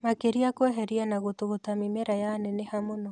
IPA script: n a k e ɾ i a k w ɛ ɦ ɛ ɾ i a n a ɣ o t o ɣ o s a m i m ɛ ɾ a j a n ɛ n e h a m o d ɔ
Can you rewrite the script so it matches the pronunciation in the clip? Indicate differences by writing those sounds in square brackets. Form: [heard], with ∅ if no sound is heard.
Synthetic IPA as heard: [m] a k e ɾ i a k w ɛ ɦ ɛ ɾ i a n a ɣ o t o ɣ o [t] a m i m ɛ ɾ a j a n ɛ n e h a m o [n] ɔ